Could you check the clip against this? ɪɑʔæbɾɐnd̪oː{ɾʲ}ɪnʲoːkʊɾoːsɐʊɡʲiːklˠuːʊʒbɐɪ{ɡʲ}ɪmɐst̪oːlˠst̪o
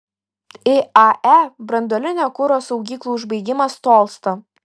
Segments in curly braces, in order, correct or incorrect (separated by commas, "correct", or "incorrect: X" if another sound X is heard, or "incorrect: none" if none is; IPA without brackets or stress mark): incorrect: lʲ, correct